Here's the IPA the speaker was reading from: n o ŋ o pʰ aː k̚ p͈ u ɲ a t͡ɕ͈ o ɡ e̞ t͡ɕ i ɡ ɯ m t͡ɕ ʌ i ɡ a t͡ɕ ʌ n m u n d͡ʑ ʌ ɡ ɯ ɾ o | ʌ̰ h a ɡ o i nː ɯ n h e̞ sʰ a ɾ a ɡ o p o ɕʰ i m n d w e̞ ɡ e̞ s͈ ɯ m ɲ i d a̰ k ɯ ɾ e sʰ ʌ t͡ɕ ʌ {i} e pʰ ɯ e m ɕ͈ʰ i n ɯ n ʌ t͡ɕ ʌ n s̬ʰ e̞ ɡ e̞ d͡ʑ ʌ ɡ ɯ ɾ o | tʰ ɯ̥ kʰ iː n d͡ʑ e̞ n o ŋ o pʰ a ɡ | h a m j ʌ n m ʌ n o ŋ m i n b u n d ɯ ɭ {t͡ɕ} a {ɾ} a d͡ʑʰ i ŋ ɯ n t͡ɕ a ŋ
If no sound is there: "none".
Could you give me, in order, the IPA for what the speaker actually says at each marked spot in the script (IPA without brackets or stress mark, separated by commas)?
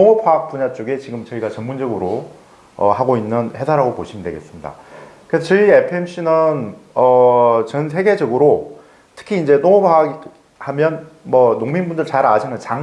i, t͡ɕ, ɾ